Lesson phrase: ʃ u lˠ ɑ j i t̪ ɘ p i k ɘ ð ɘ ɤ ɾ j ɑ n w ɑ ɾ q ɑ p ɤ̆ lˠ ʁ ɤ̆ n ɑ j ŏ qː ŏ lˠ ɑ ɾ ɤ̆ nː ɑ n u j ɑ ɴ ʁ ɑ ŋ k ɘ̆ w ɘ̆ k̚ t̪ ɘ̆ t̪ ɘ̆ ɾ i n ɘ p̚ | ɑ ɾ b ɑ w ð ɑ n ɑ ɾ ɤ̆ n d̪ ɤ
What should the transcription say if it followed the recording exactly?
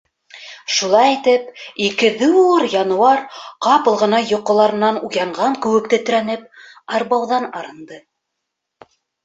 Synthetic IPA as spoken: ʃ u lˠ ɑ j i t̪ ɘ p i k ɘ ð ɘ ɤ ɾ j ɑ n w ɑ ɾ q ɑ p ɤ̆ lˠ ʁ ɤ̆ n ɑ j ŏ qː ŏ lˠ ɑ ɾ ɤ̆ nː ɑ n u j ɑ ɴ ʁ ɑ ŋ k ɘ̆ w ɘ̆ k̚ t̪ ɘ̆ t̪ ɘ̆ ɾ æ n ɘ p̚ | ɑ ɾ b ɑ w ð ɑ n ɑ ɾ ɤ̆ n d̪ ɤ